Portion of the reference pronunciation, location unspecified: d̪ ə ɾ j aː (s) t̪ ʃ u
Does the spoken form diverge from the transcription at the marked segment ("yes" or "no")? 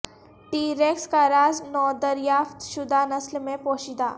yes